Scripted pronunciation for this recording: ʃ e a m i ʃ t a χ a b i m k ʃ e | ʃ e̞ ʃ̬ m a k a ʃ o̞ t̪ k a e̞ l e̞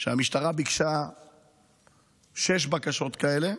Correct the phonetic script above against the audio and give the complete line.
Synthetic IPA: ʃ e a m i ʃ t a ʁ a b i k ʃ a | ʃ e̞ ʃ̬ b a k a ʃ o̞ t̪ k a e̞ l e̞

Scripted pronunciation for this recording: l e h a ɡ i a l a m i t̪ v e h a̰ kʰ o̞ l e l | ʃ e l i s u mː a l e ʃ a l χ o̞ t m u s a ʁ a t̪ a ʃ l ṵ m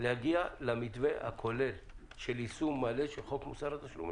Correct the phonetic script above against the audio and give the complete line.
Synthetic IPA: l e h a ɡ i a l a m i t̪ v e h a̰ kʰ o̞ l e l | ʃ e l i s u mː a l e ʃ e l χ o̞ k m u s a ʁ a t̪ a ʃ l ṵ m

